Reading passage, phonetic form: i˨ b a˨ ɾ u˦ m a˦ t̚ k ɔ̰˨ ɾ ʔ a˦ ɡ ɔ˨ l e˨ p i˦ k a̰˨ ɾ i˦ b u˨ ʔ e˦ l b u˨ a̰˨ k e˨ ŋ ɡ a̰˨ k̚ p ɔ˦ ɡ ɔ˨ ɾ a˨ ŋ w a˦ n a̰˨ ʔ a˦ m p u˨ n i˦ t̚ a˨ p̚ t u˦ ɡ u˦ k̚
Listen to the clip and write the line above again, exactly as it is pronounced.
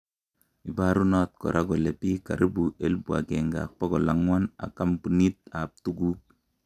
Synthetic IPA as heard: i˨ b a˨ ɾ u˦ n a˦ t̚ k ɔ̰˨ ɾ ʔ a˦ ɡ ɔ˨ l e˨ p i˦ k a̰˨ ɾ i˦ b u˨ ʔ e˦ l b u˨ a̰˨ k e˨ ŋ ɡ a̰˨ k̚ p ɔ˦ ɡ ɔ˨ l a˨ ŋ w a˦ n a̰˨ k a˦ m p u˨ n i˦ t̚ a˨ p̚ t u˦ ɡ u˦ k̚